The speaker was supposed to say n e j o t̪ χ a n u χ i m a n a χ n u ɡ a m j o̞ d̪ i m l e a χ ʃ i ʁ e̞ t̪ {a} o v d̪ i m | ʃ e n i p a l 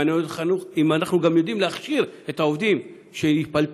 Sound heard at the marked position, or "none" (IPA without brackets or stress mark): a